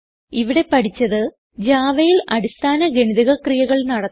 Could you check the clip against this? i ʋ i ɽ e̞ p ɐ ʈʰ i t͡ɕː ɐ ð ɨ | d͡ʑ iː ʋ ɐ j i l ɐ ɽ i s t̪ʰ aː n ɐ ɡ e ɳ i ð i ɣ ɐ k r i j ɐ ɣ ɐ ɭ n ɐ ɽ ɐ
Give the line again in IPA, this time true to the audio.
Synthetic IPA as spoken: i ʋ i ɽ e̞ p ɐ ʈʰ i t͡ɕː ɐ ð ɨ | d͡ʑ aː ʋ ɐ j i l ɐ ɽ i s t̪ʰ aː n ɐ ɡ e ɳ i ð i ɣ ɐ k r i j ɐ ɣ ɐ ɭ n ɐ ɽ ɐ